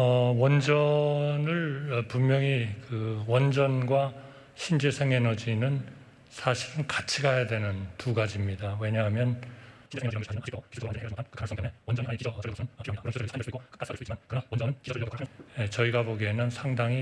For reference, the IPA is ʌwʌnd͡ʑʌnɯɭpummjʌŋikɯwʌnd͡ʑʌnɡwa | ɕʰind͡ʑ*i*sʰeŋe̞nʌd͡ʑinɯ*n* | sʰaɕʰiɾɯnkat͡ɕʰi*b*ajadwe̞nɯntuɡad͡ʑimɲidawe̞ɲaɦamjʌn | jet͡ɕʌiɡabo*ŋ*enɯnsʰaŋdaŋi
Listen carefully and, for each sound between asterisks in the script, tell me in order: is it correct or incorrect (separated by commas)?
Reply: incorrect, correct, incorrect, incorrect